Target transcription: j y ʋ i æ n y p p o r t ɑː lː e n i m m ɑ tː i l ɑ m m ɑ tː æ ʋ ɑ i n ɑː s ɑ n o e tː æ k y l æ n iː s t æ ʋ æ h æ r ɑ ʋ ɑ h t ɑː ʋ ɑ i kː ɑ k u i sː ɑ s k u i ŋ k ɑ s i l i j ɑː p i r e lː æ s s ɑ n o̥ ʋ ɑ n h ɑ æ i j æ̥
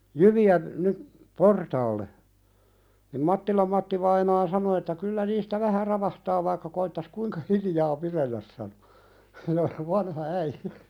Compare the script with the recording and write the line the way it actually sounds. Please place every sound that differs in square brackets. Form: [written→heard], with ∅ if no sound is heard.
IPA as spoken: j y ʋ i æ n y p p o r t ɑː lː e n i m m ɑ tː i l ɑ m m ɑ tː [æ→i] ʋ ɑ i n ɑː s ɑ n o e tː æ k y [l→lː] æ n iː s t æ ʋ æ h æ r ɑ ʋ ɑ h t ɑː ʋ ɑ i kː ɑ k [u→o] i [sː→tː] ɑ s k u i ŋ k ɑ [s→h] i l i j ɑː p i r e lː æ s s ɑ n o̥ ʋ ɑ n h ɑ æ i j æ̥